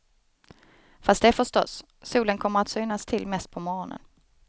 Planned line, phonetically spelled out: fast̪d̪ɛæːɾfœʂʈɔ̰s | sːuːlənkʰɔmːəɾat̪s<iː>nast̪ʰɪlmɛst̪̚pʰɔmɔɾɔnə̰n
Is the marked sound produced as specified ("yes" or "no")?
no